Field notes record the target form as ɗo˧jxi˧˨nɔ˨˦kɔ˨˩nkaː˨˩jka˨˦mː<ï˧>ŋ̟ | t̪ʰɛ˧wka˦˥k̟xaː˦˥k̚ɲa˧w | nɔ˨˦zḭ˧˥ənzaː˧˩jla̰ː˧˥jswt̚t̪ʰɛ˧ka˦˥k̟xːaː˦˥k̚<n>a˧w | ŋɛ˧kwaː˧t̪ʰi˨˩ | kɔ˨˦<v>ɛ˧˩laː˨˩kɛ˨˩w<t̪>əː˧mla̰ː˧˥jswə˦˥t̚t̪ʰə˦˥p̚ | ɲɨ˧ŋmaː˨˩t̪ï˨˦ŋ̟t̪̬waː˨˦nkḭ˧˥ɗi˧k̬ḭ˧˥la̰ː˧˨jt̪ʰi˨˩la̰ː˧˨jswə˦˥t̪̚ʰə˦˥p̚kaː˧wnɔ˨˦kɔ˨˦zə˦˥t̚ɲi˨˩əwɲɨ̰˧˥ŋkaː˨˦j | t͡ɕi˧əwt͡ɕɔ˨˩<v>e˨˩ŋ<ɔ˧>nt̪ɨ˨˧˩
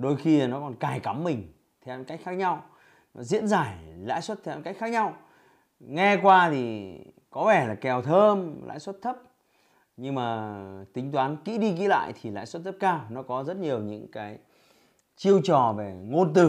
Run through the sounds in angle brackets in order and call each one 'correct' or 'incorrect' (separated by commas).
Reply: incorrect, incorrect, correct, incorrect, correct, incorrect